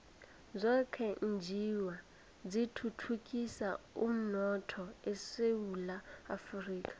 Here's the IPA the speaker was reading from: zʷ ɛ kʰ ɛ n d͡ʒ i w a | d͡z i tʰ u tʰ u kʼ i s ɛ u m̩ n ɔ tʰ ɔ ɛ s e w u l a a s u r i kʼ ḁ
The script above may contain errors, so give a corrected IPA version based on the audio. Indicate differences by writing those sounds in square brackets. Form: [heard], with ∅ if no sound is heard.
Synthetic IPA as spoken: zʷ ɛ kʰ ɛ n d͡ʒ i w a | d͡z i tʰ u tʰ u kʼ i s [a] u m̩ n ɔ tʰ ɔ ɛ s e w u l a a [f] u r [iː] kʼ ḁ